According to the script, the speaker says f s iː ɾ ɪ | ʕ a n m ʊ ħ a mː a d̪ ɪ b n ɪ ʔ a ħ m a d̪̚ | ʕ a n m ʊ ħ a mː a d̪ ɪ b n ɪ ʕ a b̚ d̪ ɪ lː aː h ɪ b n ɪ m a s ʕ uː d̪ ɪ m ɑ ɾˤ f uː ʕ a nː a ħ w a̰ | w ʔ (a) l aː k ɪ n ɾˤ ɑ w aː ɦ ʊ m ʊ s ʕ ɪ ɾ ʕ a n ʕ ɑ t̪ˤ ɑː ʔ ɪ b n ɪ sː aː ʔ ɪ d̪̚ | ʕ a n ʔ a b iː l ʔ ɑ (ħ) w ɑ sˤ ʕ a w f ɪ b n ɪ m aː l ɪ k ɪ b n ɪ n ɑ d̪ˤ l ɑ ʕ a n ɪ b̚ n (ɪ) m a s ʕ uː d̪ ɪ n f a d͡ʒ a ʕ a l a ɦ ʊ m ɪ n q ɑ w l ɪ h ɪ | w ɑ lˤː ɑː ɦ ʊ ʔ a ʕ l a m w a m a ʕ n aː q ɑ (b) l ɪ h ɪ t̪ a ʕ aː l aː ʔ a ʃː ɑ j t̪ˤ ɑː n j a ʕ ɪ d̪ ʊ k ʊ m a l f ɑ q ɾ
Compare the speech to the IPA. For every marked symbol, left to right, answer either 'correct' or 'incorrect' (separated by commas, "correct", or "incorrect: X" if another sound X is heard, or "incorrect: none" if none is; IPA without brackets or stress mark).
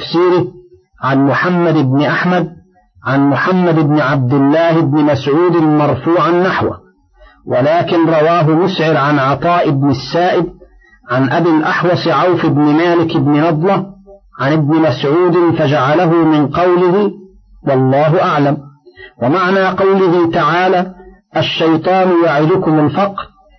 correct, correct, correct, incorrect: w